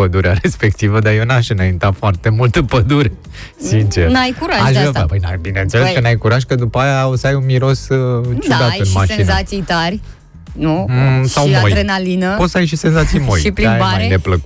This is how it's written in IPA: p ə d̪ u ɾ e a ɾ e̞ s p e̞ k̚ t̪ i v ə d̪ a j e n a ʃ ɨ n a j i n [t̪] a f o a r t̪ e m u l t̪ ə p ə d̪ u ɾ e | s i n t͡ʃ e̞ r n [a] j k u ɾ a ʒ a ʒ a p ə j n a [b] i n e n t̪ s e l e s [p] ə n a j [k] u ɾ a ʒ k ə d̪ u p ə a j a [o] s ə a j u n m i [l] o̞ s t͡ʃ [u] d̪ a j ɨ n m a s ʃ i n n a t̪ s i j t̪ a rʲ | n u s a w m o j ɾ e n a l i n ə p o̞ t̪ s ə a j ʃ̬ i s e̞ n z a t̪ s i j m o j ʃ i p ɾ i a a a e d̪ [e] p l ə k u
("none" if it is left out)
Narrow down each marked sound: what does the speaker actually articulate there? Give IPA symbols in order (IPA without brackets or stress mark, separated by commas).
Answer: t̪, a, b, k, k, o, ɾ, u, e